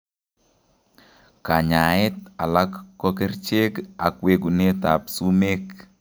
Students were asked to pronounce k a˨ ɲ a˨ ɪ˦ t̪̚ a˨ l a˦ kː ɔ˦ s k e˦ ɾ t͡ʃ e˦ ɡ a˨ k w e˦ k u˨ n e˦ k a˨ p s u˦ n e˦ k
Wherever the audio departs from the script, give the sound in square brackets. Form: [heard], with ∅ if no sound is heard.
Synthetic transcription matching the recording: k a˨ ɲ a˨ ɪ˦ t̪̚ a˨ l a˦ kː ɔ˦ [∅] k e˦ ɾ t͡ʃ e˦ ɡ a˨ k w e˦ [ɡ] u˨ n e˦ [t] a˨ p s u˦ [m] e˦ k